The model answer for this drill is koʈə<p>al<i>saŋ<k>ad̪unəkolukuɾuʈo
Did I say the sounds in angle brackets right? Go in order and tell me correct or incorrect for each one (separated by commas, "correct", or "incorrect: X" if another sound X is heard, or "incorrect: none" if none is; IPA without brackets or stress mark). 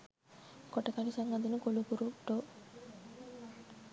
incorrect: k, correct, incorrect: ɡ